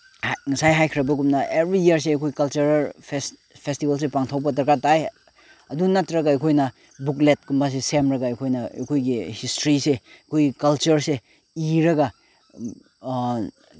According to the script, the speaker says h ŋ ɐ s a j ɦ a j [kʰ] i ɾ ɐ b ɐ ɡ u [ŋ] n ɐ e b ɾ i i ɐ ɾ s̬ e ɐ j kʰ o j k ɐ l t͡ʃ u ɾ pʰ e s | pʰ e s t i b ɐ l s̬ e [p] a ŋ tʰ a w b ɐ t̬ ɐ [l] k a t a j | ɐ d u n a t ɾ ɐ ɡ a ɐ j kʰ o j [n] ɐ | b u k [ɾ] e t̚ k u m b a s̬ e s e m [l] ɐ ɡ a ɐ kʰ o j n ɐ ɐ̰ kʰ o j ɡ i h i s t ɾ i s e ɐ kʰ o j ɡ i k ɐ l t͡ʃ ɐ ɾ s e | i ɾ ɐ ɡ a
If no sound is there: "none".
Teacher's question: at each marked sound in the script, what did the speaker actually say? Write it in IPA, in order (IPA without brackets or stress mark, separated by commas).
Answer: kʰ, m, p, ɾ, n, l, ɾ